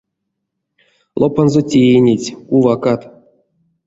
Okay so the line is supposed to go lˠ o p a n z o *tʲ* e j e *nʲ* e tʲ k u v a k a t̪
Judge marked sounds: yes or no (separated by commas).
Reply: yes, yes